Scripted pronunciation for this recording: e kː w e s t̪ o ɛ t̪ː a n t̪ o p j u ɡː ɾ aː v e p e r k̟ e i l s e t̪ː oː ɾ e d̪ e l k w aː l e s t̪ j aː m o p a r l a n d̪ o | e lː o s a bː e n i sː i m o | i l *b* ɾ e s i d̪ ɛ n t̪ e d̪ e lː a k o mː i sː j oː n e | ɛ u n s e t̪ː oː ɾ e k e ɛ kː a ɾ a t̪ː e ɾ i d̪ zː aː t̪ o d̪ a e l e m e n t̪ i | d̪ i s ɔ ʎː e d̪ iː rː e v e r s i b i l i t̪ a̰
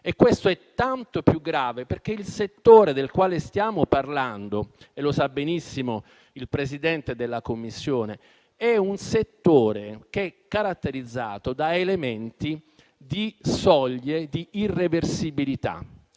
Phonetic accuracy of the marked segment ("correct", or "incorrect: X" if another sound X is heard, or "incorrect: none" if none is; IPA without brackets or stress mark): incorrect: p